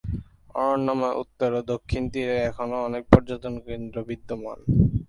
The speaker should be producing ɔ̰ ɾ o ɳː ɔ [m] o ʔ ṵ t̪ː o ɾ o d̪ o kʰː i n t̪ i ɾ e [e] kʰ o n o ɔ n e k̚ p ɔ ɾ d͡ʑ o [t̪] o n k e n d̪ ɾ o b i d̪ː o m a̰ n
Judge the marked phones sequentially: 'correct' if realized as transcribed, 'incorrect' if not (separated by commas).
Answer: correct, incorrect, correct